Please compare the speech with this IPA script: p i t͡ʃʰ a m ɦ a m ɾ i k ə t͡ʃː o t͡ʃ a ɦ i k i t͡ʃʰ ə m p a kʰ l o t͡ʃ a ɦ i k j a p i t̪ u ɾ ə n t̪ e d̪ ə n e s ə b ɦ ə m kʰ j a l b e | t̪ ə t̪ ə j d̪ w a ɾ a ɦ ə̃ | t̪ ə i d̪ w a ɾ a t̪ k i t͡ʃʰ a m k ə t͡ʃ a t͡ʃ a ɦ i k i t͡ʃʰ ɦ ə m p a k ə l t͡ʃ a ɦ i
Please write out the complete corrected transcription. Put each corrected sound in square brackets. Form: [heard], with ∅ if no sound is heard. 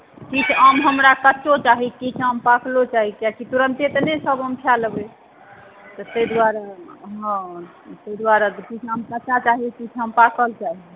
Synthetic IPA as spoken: [k] i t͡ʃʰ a m ɦ [ə] m ɾ [a] k ə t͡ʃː o t͡ʃ a ɦ i k i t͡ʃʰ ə m p a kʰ l o t͡ʃ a ɦ i k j a [k] i t̪ u ɾ ə n t̪ e [t̪] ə n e s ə b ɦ ə m kʰ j a l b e | t̪ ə t̪ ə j d̪ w a ɾ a ɦ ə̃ | t̪ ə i d̪ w a ɾ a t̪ k i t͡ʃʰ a m k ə t͡ʃ a t͡ʃ a ɦ i k i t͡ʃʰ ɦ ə m p a k ə l t͡ʃ a ɦ i